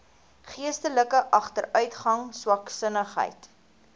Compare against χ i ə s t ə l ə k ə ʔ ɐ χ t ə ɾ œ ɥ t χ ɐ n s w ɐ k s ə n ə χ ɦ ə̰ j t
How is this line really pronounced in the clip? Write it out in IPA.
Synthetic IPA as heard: χ i ə s t ə l ə k ə ʔ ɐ χ t ə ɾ œ ɥ t χ ɐ ŋ s w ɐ k s ə n ə χ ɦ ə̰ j t